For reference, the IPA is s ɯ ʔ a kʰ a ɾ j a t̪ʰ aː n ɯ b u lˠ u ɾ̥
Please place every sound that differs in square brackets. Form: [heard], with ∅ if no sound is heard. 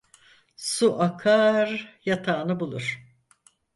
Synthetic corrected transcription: s [u] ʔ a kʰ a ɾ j a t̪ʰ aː n ɯ b u lˠ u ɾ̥